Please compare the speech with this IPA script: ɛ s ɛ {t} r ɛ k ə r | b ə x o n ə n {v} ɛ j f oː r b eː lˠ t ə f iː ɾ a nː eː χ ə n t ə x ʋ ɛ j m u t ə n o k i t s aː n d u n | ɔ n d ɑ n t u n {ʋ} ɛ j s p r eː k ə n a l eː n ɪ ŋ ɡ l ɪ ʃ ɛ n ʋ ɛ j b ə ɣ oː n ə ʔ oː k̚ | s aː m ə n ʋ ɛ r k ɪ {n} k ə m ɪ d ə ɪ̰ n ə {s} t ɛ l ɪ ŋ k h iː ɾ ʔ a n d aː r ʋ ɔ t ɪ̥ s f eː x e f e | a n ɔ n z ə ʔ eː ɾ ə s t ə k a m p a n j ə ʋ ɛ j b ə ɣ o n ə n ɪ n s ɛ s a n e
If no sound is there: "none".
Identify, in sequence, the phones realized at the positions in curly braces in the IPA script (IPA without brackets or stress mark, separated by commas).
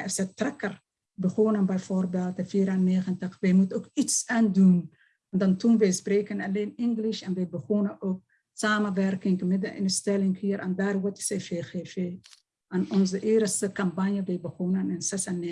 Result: t, b, ʋ, ŋ, s